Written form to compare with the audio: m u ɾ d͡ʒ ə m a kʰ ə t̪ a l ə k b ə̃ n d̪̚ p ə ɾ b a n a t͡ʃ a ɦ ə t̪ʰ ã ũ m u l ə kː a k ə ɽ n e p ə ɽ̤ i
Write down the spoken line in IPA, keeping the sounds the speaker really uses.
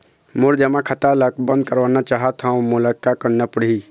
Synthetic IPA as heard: m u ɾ d͡ʒ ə m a kʰ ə t̪ a l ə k b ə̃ n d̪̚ k ə ɾ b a n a t͡ʃ a ɦ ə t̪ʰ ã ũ m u l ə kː a k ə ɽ n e p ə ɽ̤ i